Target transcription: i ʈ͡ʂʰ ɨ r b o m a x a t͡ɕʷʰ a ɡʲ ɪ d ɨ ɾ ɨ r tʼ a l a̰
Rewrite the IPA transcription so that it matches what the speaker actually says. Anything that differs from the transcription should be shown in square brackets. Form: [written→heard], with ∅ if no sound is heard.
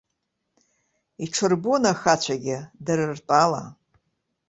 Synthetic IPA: i ʈ͡ʂʰ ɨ r b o [m→n] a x a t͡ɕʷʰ a ɡʲ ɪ d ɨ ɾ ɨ r tʼ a l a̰